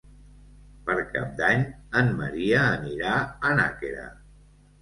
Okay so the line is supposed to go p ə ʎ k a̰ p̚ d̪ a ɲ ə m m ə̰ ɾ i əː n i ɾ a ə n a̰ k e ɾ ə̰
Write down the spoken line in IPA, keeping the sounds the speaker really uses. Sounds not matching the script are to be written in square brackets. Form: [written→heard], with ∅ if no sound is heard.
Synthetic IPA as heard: p ə [ʎ→ɾ] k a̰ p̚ d̪ a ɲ ə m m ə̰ ɾ i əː n i ɾ a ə n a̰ k e ɾ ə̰